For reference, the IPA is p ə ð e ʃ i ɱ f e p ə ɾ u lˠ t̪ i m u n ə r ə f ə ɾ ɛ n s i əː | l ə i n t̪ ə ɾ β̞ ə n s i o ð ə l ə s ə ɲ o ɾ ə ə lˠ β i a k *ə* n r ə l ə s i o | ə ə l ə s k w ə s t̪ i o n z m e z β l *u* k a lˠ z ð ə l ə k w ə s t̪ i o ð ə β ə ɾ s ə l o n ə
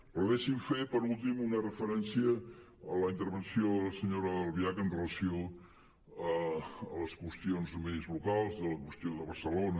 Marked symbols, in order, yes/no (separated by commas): yes, yes